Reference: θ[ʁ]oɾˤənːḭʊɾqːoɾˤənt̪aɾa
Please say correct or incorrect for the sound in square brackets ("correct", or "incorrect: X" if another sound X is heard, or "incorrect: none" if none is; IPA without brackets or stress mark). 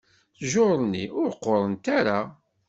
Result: incorrect: ʒ